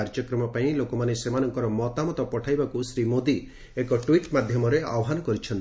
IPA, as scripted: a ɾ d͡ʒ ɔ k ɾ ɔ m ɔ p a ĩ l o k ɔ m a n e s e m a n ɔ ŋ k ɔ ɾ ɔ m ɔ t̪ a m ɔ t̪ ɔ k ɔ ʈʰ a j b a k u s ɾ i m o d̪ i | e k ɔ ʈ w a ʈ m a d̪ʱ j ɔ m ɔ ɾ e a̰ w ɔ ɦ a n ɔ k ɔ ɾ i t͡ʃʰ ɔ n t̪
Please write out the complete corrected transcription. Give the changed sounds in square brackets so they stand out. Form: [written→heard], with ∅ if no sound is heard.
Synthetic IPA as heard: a ɾ d͡ʒ ɔ k ɾ ɔ m ɔ p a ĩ l o k ɔ m a n e s e m a n ɔ ŋ k ɔ ɾ ɔ m ɔ t̪ a m ɔ t̪ ɔ [k→p] ɔ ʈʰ a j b a k u s ɾ i m o d̪ i | e k ɔ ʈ w [a→i] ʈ m a d̪ʱ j ɔ m ɔ ɾ e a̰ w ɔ ɦ a n ɔ k ɔ ɾ i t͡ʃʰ ɔ n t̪